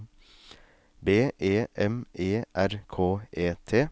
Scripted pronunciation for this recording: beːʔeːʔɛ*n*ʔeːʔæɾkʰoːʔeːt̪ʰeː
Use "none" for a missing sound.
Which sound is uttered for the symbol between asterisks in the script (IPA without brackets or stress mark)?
m